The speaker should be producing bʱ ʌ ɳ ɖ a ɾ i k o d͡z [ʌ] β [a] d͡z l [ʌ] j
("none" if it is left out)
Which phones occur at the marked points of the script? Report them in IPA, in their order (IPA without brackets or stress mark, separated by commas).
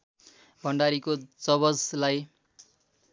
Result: ʌ, ʌ, a